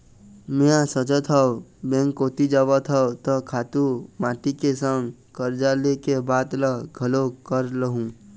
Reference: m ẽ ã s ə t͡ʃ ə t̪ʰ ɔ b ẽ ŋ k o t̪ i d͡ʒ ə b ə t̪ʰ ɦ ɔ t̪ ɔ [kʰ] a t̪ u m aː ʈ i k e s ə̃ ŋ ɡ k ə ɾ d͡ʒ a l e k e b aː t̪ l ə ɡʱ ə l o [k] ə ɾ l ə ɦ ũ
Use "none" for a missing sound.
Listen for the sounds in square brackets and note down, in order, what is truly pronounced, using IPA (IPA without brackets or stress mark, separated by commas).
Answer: kʰ, k